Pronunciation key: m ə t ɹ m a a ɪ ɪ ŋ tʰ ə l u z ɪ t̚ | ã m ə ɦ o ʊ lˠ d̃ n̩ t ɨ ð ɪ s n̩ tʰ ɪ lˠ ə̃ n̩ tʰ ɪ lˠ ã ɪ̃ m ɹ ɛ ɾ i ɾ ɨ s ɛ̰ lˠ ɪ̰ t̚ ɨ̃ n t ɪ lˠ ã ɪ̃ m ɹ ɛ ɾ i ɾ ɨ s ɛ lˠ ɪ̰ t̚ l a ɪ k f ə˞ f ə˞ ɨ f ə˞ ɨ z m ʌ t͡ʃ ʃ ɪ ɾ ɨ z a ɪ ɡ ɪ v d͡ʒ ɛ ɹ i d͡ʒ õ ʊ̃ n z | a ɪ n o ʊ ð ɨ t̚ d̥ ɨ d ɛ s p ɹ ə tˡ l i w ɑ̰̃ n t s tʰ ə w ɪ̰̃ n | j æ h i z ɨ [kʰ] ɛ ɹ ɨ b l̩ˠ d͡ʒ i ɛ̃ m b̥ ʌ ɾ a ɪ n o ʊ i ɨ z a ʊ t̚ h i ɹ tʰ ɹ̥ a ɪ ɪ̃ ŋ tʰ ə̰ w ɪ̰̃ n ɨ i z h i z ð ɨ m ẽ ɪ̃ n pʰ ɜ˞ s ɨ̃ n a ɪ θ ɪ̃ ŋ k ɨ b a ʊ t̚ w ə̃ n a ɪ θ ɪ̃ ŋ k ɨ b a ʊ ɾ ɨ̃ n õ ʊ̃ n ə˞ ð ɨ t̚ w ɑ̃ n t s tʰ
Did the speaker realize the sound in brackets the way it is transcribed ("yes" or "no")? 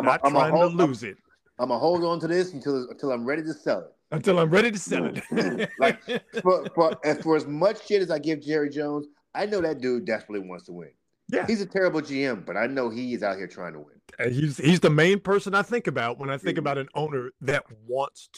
no